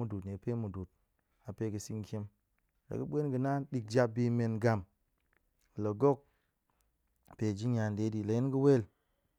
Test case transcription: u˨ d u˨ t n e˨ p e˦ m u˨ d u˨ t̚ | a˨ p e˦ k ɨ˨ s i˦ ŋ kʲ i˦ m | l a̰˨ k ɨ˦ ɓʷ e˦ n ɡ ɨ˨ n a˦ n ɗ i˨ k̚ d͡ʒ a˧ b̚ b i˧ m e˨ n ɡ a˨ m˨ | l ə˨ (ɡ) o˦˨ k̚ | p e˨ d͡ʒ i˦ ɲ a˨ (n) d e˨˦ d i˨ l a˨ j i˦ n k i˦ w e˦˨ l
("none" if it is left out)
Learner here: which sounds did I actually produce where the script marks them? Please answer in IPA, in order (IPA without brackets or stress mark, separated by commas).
ɡ, n